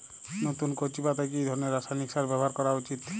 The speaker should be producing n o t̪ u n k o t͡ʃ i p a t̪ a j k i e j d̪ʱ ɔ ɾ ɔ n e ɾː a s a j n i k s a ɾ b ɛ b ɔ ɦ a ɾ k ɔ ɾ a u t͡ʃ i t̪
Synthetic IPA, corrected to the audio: n o t̪ u n k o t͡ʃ i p a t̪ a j k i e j d̪ʱ ɔ ɾ ɔ n e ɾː a s a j n i k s a ɾ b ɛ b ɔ ɦ a ɾ k ɔ ɾ a u t͡ʃ i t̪